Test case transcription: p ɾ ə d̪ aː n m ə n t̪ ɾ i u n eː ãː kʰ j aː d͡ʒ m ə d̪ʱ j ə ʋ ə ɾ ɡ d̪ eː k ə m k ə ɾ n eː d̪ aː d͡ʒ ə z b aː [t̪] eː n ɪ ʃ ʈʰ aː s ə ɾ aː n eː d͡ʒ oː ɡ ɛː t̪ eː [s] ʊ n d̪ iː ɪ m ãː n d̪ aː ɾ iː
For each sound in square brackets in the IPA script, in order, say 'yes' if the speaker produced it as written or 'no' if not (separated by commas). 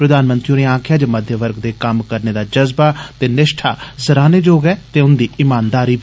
yes, no